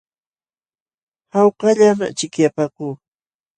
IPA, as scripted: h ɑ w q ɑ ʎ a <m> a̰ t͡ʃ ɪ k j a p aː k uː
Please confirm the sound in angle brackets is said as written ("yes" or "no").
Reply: yes